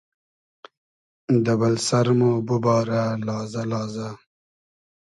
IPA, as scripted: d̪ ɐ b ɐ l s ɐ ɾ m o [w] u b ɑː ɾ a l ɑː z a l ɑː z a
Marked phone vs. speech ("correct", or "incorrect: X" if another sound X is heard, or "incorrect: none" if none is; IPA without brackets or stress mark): incorrect: b